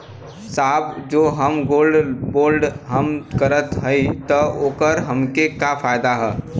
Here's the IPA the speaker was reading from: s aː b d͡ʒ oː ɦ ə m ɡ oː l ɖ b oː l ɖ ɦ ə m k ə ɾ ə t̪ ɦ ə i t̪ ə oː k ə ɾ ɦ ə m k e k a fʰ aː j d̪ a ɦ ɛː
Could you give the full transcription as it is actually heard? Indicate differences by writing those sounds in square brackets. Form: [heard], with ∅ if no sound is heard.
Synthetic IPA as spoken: s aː b d͡ʒ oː ɦ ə m ɡ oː l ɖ b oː l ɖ ɦ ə m k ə ɾ ə t̪ ɦ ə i t̪ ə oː k ə ɾ ɦ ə m k e k a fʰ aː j d̪ a ɦ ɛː

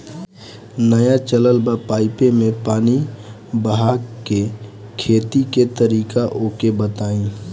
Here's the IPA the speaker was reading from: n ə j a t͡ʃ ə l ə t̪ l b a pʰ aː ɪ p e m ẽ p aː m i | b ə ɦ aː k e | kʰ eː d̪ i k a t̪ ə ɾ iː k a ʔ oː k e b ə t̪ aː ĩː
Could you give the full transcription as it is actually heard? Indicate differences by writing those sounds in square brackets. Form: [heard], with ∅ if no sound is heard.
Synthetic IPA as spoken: n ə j a t͡ʃ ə l ə [∅] l b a [p] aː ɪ p e m ẽ p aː [n] i | b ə ɦ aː k e | kʰ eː [t̪] i k [e] t̪ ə ɾ iː k a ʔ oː k e b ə t̪ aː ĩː

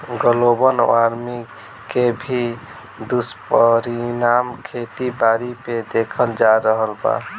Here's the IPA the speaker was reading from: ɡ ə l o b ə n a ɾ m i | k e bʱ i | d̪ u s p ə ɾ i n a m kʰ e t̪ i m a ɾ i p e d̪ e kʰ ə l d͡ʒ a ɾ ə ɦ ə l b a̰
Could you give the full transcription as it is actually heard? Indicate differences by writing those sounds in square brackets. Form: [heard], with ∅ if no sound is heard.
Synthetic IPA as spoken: ɡ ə l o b ə n a ɾ m i | k e bʱ i | d̪ u s p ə ɾ i n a m kʰ e t̪ i [b] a ɾ i p e d̪ e kʰ ə l d͡ʒ a ɾ ə ɦ ə l b a̰

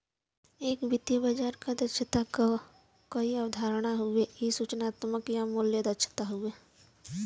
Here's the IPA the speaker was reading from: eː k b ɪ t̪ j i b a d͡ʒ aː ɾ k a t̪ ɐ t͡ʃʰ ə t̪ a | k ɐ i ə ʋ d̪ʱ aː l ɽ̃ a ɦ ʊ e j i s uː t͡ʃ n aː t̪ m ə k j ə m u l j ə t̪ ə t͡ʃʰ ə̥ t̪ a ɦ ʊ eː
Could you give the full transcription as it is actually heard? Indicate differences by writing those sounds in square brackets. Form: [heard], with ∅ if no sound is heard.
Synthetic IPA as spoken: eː k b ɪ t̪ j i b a d͡ʒ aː ɾ k a [d̪] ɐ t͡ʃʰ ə t̪ a | k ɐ i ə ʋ d̪ʱ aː [ɾ] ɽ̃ a ɦ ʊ e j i s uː t͡ʃ n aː t̪ m ə k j [a] m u l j ə [d̪] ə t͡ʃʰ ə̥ t̪ a ɦ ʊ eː

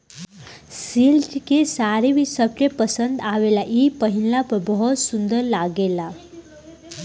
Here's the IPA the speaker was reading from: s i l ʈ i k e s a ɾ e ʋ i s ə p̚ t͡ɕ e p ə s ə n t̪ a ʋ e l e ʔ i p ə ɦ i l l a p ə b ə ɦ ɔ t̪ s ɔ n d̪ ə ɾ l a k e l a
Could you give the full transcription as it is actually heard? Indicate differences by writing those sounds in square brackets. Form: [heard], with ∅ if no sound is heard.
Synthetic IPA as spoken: s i l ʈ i k e s a ɾ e ʋ i s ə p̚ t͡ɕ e p ə s ə n [d̪] a ʋ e l [a] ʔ i p ə ɦ i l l a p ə b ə ɦ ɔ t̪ s [u] n d̪ ə ɾ l a [ɡ] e l a

